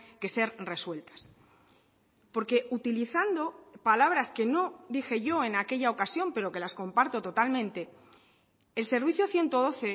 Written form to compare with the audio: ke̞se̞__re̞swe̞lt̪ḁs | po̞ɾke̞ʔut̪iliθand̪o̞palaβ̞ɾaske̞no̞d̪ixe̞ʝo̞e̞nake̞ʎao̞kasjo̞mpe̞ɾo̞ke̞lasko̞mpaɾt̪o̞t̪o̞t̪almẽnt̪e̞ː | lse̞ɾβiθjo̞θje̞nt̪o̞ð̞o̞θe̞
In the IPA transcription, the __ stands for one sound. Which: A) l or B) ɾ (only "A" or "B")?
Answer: B